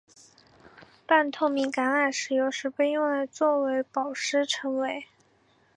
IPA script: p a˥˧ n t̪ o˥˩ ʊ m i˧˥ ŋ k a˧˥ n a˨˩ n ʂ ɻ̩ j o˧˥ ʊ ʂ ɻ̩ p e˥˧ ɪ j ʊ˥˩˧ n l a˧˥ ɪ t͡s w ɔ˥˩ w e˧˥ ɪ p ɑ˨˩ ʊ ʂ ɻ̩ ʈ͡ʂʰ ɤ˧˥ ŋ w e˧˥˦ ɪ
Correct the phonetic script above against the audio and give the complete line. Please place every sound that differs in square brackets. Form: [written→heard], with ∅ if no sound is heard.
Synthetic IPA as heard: p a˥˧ n [t̪→t̪ʰ] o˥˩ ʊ m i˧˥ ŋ k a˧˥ n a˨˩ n ʂ ɻ̩ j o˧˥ ʊ ʂ ɻ̩ p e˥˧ ɪ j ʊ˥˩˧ [n→ŋ] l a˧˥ ɪ t͡s w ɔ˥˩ w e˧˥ ɪ p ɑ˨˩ ʊ ʂ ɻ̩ ʈ͡ʂʰ ɤ˧˥ ŋ w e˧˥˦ ɪ